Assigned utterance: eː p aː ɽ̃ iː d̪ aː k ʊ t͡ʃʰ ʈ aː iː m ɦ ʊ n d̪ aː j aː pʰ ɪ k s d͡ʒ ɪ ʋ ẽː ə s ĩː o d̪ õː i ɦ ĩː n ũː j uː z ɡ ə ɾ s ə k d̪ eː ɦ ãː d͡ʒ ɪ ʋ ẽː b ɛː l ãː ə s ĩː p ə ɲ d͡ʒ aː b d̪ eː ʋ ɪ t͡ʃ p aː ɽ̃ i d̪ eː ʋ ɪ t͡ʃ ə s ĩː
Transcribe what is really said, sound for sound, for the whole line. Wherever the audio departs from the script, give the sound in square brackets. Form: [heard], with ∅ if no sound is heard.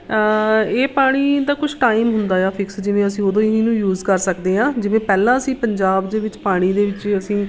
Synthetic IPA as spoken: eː p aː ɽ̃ iː d̪ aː k ʊ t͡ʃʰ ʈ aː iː m ɦ ʊ n d̪ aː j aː pʰ ɪ k s d͡ʒ ɪ ʋ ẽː ə s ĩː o d̪ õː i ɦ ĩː n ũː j uː z [k] ə ɾ s ə k d̪ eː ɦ ãː d͡ʒ ɪ ʋ ẽː [p] ɛː l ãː ə s ĩː p ə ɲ d͡ʒ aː b d̪ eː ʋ ɪ t͡ʃ p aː ɽ̃ [iː] d̪ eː ʋ ɪ t͡ʃ ə s ĩː